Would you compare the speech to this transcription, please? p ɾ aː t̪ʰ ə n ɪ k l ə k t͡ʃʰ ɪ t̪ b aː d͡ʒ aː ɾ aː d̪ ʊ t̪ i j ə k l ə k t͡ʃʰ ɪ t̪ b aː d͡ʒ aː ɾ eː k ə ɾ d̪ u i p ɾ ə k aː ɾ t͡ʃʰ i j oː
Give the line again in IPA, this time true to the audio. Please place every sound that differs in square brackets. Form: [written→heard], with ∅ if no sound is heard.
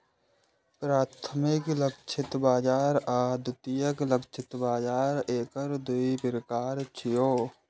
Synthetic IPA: p ɾ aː t̪ʰ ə [n→m] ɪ k l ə k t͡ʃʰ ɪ t̪ b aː d͡ʒ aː ɾ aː d̪ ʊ t̪ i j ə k l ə k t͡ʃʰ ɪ t̪ b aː d͡ʒ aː ɾ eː k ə ɾ d̪ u i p ɾ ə k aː ɾ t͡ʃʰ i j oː